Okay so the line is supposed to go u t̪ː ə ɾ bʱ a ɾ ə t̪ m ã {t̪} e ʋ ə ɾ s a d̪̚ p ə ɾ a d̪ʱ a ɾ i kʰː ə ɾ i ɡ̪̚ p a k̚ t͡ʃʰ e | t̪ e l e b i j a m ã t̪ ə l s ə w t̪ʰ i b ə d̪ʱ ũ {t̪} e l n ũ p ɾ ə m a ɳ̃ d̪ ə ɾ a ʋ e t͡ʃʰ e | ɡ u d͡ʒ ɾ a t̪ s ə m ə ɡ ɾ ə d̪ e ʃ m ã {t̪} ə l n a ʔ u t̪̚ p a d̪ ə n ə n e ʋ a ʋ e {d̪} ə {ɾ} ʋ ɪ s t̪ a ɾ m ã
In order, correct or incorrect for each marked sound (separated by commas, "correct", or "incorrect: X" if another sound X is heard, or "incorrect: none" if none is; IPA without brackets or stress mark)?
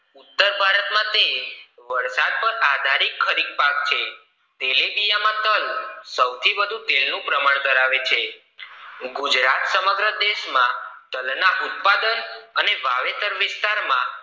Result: correct, correct, correct, incorrect: t̪, correct